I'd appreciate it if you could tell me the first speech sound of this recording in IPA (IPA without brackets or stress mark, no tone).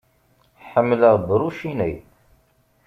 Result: ħ